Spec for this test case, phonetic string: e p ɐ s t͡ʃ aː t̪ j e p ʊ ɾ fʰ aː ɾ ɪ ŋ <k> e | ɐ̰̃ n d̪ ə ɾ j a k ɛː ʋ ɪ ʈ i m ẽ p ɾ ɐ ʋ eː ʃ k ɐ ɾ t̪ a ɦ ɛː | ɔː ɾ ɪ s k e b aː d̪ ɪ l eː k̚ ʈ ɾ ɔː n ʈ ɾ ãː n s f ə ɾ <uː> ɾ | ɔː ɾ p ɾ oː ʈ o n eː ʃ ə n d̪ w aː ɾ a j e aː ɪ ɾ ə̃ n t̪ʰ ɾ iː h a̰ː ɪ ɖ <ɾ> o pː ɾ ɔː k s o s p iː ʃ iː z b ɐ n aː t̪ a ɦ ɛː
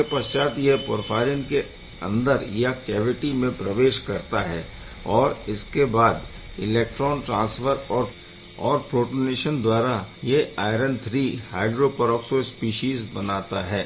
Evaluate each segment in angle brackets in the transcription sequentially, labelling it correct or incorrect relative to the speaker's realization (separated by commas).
correct, incorrect, correct